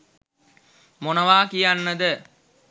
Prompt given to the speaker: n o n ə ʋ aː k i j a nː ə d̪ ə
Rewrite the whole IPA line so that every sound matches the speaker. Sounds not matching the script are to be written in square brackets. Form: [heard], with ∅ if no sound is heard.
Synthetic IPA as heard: [m] o n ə ʋ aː k i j a nː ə d̪ ə